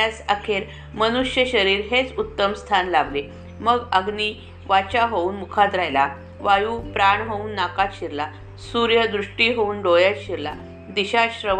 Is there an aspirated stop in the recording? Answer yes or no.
yes